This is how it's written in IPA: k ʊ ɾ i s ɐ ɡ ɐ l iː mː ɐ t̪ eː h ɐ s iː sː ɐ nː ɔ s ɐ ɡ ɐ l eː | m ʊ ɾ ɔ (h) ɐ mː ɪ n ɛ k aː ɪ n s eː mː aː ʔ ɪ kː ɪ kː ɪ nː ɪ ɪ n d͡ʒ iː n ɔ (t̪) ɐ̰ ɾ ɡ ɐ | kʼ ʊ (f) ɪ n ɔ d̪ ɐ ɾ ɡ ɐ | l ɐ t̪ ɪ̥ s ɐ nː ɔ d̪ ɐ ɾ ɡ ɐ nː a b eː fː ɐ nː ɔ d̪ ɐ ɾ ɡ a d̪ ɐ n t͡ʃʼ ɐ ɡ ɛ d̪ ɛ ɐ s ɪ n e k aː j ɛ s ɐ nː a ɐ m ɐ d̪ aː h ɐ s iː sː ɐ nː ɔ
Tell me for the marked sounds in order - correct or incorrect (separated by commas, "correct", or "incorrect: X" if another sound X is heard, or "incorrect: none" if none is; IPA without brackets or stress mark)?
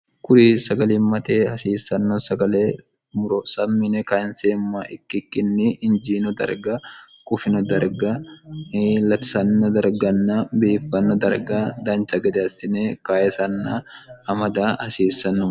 incorrect: s, incorrect: d̪, correct